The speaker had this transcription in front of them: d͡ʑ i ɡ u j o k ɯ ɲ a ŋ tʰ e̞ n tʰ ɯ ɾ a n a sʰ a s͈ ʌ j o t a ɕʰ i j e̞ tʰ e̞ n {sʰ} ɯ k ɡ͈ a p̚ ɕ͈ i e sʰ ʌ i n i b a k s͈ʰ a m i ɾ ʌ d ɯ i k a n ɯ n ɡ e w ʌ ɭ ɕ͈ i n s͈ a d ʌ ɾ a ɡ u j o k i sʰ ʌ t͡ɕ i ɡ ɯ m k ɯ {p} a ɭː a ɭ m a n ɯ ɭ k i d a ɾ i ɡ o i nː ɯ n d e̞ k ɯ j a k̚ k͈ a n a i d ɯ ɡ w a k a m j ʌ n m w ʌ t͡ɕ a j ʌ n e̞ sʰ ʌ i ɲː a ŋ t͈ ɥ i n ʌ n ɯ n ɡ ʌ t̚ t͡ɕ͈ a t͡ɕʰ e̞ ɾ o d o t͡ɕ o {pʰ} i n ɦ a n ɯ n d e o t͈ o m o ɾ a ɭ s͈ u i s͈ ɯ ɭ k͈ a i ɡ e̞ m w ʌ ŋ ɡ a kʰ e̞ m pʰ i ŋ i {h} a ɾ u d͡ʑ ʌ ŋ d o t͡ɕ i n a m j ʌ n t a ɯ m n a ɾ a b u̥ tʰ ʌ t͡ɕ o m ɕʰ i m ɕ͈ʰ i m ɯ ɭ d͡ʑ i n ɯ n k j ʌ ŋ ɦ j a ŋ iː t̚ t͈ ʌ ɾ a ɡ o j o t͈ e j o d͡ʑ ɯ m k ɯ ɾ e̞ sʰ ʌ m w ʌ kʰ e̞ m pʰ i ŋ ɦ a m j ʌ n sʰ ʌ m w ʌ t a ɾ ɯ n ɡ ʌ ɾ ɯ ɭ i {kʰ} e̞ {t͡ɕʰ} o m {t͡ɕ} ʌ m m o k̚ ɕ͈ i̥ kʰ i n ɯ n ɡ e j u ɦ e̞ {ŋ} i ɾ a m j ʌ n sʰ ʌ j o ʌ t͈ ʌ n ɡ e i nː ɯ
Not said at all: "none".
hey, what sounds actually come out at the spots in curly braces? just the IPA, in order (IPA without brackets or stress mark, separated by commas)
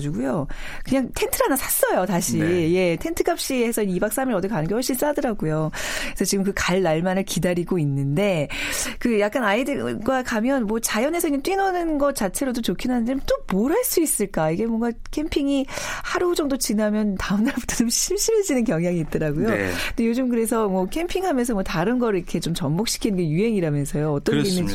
tʰ, k, kʰ, h, kʰ, t͡ɕ, t͡ɕ, ŋ